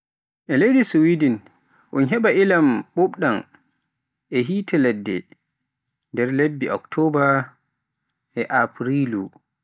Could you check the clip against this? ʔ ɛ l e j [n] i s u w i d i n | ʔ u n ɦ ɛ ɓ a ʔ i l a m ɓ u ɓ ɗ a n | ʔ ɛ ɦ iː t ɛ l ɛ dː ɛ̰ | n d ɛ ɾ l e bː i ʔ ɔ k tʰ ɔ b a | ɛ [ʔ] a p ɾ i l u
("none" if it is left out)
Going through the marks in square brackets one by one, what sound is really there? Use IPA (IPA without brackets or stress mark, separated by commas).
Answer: d, ʔ